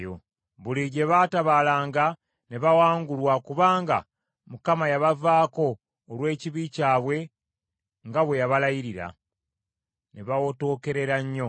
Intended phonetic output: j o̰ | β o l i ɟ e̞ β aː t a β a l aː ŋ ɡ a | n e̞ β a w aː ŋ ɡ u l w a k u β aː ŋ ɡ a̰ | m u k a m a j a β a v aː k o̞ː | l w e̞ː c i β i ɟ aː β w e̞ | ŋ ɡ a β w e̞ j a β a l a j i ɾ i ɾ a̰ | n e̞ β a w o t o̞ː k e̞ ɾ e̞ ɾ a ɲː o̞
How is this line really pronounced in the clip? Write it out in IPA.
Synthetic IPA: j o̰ | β u l i ɟ e̞ β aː t a β a l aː ŋ ɡ a | n e̞ β a w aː ŋ ɡ u l w a k u β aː ŋ ɡ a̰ | m u k a m a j a β a v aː k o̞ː | l w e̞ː c i β i c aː β w e̞ | ŋ ɡ a β w e̞ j a β a l a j i ɾ i ɾ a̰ | n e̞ β a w o t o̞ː k e̞ ɾ e̞ ɾ a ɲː o̞